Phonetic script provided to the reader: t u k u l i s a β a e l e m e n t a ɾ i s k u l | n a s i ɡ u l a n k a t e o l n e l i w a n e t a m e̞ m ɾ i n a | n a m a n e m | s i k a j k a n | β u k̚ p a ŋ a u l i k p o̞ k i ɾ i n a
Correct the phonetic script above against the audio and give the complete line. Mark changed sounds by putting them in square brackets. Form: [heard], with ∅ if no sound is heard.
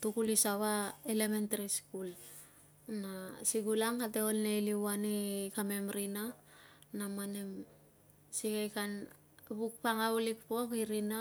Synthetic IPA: t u k u l i s a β a e l e m e n t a ɾ i s k u l | n a s i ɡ u l a [ŋ] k a t e o l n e l i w a n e [k] a m e̞ m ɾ i n a | n a m a n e m | s i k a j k a n | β u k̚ p a ŋ a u l i k p o̞ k i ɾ i n a